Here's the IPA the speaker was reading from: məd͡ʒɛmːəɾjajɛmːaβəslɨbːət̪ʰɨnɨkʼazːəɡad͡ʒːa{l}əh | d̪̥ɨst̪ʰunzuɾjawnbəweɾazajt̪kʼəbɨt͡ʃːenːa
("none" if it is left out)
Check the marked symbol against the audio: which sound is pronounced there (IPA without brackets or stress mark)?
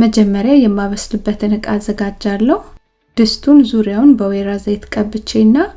lː